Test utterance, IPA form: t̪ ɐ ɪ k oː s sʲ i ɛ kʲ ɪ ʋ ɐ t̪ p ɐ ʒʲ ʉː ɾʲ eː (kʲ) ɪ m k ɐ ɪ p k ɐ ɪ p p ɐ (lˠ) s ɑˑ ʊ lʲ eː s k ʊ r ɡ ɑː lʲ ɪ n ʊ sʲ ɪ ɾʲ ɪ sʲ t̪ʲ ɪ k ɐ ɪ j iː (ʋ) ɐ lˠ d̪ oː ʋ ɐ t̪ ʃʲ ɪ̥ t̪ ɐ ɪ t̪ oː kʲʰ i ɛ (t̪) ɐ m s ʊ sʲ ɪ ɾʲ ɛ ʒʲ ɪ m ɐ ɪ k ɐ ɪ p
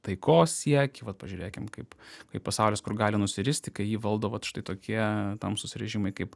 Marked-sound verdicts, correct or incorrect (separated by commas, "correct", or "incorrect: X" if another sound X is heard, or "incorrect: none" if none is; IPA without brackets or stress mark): correct, incorrect: none, correct, correct